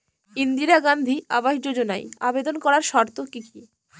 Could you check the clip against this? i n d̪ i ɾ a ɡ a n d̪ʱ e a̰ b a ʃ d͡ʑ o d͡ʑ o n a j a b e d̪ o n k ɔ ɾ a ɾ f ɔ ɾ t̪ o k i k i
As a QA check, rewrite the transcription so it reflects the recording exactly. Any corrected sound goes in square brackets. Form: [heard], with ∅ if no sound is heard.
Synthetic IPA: i n d̪ i ɾ a ɡ a n d̪ʱ [i] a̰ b a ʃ d͡ʑ o d͡ʑ o n a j a b e d̪ o n k ɔ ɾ a ɾ [ʃ] ɔ ɾ t̪ o k i k i